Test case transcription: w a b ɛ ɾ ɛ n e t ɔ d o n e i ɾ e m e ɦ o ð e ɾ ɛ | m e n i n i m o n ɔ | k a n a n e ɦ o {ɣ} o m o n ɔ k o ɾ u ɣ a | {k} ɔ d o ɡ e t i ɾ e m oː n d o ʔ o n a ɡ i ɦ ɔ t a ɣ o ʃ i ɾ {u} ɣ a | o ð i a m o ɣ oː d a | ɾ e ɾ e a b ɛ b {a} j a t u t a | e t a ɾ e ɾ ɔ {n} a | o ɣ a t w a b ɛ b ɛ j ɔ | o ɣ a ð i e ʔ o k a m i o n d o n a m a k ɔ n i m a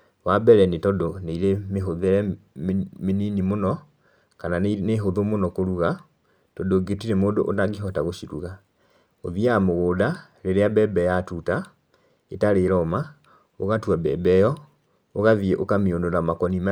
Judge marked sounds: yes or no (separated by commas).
no, no, yes, no, no